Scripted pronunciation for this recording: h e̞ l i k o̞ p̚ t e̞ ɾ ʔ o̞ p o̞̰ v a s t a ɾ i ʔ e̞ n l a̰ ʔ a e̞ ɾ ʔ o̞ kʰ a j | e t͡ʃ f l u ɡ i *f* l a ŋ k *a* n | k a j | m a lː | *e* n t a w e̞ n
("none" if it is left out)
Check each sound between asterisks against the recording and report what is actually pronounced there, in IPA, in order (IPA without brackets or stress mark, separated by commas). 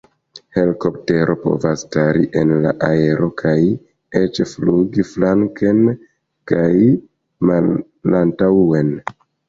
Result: f, e, a